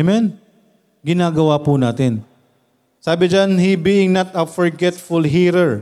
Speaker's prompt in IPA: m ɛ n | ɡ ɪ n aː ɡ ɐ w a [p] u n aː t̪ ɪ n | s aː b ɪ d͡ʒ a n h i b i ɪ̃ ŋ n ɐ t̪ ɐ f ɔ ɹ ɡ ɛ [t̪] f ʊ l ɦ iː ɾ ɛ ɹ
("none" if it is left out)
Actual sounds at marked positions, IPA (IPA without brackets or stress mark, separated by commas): p, t̪